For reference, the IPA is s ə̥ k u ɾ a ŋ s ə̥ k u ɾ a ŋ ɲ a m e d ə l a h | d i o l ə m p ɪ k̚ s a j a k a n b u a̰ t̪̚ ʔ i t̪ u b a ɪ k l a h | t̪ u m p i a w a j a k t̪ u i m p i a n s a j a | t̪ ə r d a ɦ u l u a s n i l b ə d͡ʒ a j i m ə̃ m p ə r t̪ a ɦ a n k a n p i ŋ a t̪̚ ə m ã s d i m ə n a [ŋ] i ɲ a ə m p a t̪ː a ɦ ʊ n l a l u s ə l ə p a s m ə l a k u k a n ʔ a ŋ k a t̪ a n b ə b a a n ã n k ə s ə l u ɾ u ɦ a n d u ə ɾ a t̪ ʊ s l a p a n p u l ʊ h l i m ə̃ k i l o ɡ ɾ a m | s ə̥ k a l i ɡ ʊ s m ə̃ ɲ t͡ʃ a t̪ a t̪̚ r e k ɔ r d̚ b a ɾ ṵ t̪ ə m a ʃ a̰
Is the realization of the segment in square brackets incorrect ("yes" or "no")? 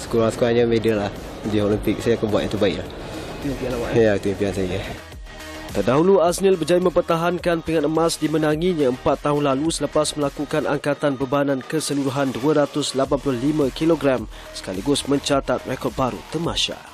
no